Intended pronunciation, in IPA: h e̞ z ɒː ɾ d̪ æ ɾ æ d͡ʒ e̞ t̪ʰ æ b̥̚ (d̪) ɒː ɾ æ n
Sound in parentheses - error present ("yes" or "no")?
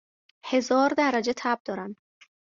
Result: no